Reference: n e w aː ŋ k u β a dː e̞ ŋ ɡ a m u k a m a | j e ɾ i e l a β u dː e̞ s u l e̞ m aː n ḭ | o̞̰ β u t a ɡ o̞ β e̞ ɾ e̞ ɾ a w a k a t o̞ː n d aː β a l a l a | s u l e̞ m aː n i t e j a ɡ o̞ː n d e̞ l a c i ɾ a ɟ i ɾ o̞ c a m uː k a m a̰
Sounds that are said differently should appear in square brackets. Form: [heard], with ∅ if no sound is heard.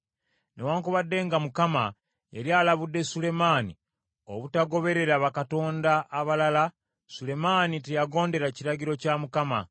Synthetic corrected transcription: n e w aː ŋ k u β a dː e̞ ŋ ɡ a m u k a m a | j e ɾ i [a] l a β u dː e̞ s u l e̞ m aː n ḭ | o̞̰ β u t a ɡ o̞ β e̞ ɾ e̞ ɾ a [β] a k a t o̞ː n d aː β a l a l a | s u l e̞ m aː n i t e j a ɡ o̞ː n d e̞ [ɾ] a c i ɾ a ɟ i ɾ o̞ c a m [u] k a m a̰